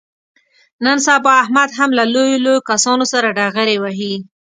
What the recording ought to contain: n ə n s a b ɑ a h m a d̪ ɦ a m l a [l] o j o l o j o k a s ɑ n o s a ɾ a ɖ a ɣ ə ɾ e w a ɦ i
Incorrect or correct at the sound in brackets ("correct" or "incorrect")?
correct